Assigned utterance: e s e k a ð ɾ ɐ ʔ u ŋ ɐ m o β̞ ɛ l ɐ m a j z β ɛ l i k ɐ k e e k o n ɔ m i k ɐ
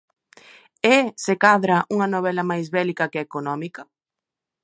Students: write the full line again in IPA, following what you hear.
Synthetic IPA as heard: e s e k a ð ɾ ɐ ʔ u ŋ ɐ n o β̞ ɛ l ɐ m a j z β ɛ l i k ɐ k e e k o n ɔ m i k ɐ